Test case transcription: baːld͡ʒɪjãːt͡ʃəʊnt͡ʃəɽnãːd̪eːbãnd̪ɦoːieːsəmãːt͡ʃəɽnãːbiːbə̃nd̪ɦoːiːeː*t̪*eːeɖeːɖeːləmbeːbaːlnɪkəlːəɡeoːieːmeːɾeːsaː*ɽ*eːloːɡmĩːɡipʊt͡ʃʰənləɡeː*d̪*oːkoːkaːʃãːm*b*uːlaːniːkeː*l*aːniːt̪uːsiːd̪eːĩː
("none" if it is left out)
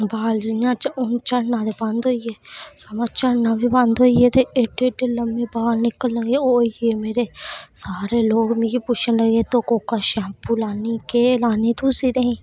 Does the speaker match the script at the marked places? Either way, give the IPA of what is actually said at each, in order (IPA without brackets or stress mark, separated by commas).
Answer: t̪, ɾ, t̪, p, l